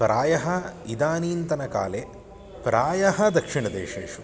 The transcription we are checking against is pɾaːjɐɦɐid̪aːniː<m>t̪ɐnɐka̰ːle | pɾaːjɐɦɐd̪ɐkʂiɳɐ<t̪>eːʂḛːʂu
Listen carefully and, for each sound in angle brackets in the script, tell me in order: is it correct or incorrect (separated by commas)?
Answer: incorrect, incorrect